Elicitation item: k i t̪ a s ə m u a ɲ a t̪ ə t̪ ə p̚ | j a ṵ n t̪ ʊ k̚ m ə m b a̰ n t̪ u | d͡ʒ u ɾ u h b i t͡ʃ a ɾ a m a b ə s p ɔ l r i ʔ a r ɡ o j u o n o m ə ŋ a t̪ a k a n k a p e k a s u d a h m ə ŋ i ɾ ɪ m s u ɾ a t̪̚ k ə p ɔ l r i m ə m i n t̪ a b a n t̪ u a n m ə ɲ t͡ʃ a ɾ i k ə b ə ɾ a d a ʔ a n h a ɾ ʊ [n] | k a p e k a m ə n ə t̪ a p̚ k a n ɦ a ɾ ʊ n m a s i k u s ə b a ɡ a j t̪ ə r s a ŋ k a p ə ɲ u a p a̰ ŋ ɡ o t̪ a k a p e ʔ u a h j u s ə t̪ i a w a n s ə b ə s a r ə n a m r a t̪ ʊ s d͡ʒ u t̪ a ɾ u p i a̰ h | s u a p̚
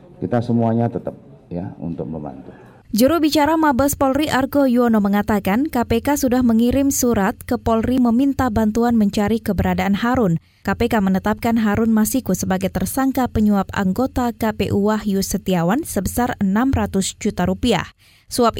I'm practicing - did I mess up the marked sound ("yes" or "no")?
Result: no